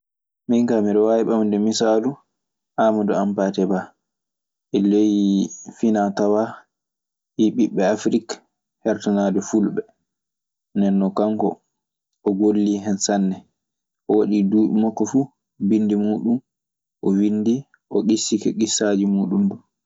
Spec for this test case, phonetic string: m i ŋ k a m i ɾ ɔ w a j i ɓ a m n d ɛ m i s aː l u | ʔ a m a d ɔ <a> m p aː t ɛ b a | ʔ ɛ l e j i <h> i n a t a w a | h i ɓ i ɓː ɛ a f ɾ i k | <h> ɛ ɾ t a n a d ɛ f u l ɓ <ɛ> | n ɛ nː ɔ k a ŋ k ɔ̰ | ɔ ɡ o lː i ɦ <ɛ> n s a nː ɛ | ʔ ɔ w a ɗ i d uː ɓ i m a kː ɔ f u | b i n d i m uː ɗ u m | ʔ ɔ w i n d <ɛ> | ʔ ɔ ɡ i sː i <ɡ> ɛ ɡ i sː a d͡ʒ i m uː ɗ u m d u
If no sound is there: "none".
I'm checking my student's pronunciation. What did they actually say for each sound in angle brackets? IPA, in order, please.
a, f, h, ɛ, ɛ, i, k

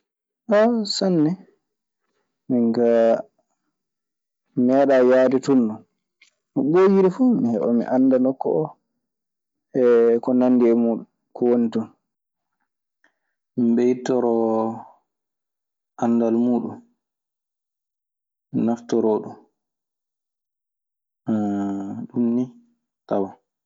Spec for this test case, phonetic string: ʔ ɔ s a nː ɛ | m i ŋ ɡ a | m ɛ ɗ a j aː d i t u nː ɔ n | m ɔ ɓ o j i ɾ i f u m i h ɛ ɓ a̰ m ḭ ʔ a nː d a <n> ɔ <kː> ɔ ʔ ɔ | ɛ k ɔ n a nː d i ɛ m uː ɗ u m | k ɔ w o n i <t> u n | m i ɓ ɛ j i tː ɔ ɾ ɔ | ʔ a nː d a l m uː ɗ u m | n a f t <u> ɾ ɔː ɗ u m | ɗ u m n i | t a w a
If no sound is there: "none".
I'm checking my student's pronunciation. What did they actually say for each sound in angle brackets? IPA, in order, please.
n, kː, t, ɔ

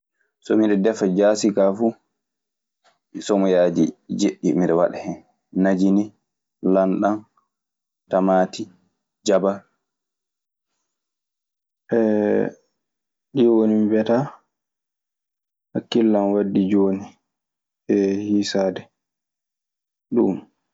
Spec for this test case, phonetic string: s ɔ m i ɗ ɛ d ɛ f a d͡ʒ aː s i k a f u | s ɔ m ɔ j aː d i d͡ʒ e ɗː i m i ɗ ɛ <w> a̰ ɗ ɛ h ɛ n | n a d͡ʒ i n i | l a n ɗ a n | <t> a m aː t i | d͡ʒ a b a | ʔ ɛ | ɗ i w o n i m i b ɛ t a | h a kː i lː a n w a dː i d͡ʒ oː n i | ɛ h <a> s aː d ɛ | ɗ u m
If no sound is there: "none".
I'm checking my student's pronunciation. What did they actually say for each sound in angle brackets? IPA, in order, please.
w, t, i

